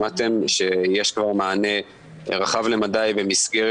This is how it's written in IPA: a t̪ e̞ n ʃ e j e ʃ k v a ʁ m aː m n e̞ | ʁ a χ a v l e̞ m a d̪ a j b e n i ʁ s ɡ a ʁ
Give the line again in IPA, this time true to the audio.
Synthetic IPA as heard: a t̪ e̞ m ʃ e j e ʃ k v a ʁ m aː n e̞ | ʁ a χ a v l e̞ m a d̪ a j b e m i s ɡ e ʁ